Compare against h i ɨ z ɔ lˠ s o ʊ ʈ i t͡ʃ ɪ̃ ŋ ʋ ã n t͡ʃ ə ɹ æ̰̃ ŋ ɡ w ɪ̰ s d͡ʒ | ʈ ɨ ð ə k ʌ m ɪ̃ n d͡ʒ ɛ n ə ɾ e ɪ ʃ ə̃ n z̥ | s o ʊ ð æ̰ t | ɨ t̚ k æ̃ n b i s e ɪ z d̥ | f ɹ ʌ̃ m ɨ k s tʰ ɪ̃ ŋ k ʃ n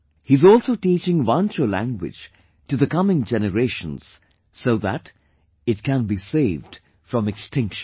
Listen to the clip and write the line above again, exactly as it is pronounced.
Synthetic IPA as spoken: h i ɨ z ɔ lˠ s o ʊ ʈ i t͡ʃ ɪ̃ ŋ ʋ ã n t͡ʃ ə l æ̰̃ ŋ ɡ w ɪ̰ d͡ʒ | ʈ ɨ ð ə k ʌ m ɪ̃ ŋ d͡ʒ ɛ n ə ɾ e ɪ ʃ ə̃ n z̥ | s o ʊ ð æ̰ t | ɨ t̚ k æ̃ n b i s e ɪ v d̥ | f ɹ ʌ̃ m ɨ k s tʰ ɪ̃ ŋ k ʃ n

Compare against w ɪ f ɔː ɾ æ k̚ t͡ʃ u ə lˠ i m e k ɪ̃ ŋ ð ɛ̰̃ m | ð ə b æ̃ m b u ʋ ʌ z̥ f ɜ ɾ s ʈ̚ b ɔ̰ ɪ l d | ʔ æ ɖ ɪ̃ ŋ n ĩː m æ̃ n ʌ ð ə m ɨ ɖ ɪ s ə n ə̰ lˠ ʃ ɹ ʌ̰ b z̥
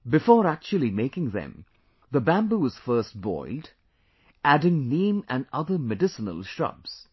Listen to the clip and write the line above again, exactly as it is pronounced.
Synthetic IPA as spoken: b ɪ f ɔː ɾ æ k̚ t͡ʃ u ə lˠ i m e k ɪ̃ ŋ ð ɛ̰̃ m | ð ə b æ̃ m b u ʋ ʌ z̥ f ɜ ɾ s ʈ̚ b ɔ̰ ɪ l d | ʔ æ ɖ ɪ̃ ŋ n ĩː m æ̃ n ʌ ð ə m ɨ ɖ ɪ s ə n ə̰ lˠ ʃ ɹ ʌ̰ b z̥

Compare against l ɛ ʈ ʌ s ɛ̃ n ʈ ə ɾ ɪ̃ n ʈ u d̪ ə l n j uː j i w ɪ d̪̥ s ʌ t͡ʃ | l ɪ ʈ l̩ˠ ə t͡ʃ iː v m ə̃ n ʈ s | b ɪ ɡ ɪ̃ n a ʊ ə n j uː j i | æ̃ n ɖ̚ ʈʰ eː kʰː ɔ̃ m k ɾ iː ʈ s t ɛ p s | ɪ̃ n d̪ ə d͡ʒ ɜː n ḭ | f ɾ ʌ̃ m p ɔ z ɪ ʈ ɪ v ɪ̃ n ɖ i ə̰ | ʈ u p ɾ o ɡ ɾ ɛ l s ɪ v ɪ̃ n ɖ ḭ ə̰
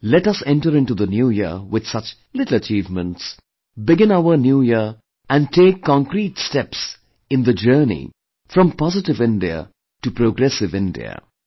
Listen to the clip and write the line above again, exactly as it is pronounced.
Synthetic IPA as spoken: l ɛ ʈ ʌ s ɛ̃ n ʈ ə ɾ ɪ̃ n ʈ u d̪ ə n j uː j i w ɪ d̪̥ s ʌ t͡ʃ | l ɪ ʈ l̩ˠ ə t͡ʃ iː v m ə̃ n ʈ s | b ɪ ɡ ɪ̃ n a ʊ ə n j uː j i | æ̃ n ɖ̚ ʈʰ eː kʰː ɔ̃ ŋ k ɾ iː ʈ s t ɛ p s | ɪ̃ n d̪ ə d͡ʒ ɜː n ḭ | f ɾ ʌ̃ m p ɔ z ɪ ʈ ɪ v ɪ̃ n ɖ i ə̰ | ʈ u p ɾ o ɡ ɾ ɛ s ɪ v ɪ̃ n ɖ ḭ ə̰

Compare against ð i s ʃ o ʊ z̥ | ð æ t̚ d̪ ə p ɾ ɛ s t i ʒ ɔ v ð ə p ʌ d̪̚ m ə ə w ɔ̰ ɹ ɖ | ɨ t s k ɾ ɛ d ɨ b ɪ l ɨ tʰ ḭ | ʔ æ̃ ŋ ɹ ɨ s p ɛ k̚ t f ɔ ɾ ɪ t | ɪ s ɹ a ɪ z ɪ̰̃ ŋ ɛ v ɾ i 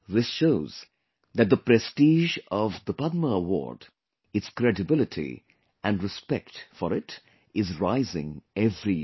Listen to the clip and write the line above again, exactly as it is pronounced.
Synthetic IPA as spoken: ð ɪ s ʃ o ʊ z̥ | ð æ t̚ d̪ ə p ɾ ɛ s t i ʒ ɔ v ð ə p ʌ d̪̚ m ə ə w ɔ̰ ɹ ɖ | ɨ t s k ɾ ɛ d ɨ b ɪ l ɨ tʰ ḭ | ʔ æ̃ n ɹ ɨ s p ɛ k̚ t f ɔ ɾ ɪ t | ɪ z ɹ a ɪ z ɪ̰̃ ŋ ɛ v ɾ i

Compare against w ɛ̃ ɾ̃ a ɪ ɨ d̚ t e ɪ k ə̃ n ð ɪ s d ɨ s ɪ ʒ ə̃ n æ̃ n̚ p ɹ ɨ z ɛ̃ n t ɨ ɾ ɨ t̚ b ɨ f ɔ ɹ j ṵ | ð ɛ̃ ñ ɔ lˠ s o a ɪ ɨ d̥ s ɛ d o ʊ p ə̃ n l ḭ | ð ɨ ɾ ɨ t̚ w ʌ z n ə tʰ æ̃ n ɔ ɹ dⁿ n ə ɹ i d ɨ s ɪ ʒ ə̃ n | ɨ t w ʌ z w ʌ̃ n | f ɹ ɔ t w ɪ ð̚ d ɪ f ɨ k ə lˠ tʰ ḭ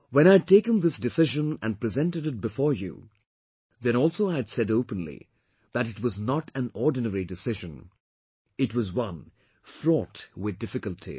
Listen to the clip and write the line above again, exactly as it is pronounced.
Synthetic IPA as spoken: w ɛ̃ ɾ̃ a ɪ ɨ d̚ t e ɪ k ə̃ n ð ɪ s d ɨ s ɪ ʒ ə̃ n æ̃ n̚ p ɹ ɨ z ɛ̃ n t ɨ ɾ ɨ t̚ b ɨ f ɔ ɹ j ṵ | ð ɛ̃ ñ ɔ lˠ s o a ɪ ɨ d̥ s ɛ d o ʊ p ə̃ n l ḭ | ð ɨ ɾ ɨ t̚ w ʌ z n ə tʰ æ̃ n ɔ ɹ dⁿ n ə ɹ i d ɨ s ɪ ʒ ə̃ n | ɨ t w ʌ z w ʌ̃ n | f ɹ ɔ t w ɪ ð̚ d ɪ f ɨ k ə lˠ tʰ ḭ

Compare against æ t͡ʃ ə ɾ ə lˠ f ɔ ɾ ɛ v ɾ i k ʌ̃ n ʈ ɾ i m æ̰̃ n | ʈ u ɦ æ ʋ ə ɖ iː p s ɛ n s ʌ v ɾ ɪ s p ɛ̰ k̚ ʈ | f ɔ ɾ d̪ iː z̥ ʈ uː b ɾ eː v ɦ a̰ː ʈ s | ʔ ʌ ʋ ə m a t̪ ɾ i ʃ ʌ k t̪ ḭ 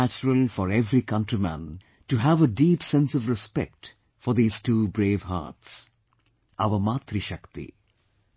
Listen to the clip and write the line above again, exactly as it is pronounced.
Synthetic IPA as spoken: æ t͡ʃ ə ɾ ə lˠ f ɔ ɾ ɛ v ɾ i k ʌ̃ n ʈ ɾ i m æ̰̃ n | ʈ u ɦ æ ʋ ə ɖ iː p s ɛ̃ n s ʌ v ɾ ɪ s p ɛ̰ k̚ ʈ | f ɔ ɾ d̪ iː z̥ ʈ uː b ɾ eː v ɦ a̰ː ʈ s | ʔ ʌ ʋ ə m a t̪ ɾ i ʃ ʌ k t̪ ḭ

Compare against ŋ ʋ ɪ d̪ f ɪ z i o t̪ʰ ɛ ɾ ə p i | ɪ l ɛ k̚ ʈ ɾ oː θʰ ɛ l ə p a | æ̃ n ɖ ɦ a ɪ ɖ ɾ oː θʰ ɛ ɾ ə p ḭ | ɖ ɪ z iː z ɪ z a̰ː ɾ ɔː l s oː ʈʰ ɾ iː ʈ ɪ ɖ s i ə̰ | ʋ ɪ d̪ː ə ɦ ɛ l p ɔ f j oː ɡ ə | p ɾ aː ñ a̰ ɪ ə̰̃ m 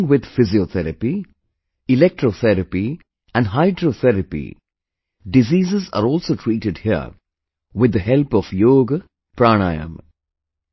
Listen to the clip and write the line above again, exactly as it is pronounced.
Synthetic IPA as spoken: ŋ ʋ ɪ d̪ f ɪ z i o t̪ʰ ɛ ɾ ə p i | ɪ l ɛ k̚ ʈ ɾ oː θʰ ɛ ɾ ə p i | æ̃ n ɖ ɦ a ɪ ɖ ɾ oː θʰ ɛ ɾ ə p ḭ | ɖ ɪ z iː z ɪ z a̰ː ɾ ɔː l s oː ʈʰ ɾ iː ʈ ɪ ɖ h i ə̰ | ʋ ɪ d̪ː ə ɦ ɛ l p ɔ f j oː ɡ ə | p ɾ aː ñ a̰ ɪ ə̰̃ m

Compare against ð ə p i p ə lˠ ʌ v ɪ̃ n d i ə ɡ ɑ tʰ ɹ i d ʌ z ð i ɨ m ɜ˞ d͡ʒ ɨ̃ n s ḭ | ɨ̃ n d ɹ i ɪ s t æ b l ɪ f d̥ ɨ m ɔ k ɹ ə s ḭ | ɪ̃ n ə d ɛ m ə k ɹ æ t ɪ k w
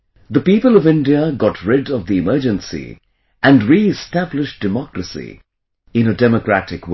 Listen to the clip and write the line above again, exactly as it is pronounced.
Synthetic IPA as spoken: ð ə p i p ə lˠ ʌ v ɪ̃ n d i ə ɡ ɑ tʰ ɹ ɪ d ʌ v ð i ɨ m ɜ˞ d͡ʒ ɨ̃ n s ḭ | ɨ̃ n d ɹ i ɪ s t æ b l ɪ ʃ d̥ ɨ m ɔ k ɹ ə s ḭ | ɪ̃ n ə d ɛ m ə k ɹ æ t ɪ k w

